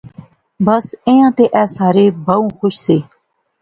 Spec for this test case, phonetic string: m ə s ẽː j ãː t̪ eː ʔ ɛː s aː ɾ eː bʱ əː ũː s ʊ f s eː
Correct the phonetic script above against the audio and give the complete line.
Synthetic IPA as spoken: b ə s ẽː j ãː t̪ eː ʔ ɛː s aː ɾ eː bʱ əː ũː x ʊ ʃ s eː